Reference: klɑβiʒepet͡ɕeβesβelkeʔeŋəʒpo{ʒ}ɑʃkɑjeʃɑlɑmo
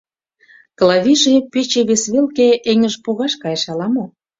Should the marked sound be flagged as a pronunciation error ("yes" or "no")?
yes